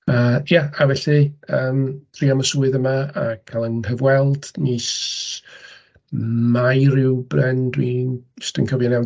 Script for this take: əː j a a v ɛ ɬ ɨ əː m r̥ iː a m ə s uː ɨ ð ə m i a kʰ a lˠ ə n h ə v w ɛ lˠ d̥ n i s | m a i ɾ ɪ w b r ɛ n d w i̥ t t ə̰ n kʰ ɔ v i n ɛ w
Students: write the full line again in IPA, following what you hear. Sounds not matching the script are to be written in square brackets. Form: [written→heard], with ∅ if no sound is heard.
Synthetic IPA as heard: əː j a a v ɛ ɬ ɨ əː m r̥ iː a m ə s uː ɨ ð ə m [i→a] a kʰ a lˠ ə n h ə v w ɛ lˠ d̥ n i s | m a [i→j] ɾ ɪ w b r ɛ n d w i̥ [t→s] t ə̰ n kʰ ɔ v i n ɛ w